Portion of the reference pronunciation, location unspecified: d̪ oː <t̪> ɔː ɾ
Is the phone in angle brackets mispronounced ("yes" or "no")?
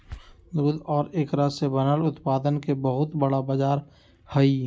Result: yes